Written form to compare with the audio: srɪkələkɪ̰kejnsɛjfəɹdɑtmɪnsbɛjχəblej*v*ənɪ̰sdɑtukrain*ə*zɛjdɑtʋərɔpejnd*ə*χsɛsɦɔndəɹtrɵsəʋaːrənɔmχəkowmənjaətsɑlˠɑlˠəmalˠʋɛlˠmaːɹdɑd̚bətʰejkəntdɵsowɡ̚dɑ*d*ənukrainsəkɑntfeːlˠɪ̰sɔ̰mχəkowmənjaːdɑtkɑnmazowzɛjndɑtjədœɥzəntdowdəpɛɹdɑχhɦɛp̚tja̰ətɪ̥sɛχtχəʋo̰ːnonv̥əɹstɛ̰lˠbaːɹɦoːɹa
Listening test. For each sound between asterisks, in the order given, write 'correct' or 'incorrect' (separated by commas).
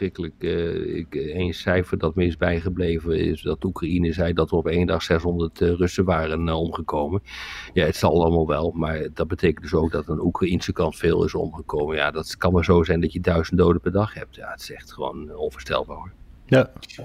correct, correct, incorrect, incorrect